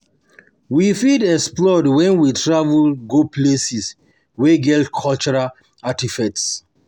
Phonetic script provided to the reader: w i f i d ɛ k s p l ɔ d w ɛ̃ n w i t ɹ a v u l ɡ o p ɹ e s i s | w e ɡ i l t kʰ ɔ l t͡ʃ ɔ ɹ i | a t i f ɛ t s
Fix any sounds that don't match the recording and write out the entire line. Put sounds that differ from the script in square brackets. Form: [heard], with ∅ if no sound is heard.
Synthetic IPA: w i f i d ɛ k s p l ɔ d w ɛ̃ n w i t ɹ a v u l ɡ o p [l] e s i s | w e ɡ [ɛ] l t kʰ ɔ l t͡ʃ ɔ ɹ [a] | a t i f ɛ t s